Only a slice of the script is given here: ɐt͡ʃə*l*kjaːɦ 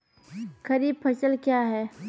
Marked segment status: correct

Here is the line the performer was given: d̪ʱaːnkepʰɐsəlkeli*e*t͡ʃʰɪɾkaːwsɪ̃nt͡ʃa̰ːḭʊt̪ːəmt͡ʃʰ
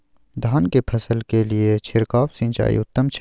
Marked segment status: correct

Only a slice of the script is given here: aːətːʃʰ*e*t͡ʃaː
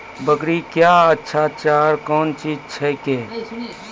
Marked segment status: incorrect: a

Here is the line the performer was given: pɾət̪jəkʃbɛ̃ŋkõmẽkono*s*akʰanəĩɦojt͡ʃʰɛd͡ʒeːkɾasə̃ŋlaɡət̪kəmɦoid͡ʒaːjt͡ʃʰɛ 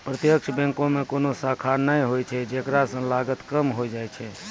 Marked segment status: correct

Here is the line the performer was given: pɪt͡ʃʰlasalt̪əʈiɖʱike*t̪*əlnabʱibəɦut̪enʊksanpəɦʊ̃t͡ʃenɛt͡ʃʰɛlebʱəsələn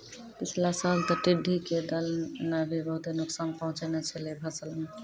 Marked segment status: incorrect: d̪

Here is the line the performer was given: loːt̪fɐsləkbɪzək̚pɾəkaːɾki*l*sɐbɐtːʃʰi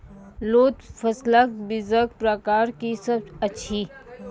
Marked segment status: incorrect: none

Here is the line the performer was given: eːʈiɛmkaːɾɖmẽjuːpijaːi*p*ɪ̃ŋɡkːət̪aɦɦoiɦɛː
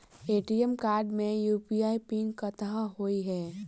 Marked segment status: correct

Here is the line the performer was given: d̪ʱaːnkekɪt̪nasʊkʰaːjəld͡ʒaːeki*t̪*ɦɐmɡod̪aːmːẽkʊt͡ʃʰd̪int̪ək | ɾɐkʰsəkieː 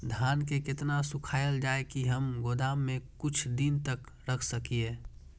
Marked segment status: incorrect: none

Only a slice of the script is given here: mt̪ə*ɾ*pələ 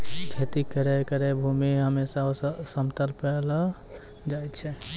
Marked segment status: incorrect: l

